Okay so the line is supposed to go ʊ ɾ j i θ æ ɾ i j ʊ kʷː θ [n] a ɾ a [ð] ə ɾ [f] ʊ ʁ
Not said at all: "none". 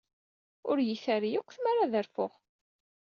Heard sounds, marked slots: m, ð, f

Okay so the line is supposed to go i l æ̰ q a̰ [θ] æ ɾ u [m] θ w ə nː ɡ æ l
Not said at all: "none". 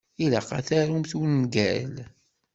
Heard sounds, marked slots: θ, m

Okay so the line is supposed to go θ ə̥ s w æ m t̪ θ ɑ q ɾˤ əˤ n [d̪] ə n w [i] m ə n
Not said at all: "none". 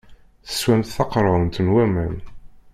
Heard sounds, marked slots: t̪, æ

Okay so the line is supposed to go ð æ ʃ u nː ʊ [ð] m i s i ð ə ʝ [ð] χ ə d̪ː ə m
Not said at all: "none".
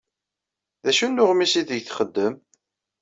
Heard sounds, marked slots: ʁ, θ

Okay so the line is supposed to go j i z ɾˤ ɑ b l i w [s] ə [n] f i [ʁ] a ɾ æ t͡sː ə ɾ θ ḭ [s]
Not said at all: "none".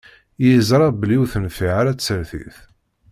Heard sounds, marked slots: θ, n, ʕ, θ

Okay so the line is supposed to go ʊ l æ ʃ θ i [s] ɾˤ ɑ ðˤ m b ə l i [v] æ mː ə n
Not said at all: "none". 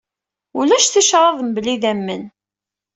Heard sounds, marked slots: ʃ, ð

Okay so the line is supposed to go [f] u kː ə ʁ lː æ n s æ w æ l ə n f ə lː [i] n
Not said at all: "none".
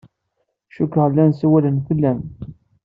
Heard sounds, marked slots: ʃ, æ

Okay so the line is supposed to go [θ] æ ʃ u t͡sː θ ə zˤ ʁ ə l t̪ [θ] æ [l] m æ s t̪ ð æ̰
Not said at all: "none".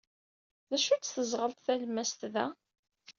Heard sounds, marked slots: ð, θ, l

